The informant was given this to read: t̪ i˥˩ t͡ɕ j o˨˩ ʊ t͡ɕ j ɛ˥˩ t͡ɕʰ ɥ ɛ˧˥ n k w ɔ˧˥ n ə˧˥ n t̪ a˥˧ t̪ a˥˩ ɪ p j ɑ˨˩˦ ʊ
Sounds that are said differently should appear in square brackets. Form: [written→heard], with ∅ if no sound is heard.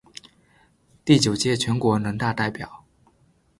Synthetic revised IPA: t̪ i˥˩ t͡ɕ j o˨˩ ʊ t͡ɕ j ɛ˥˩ t͡ɕʰ ɥ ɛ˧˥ n k w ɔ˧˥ n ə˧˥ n t̪ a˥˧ t̪ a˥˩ ɪ p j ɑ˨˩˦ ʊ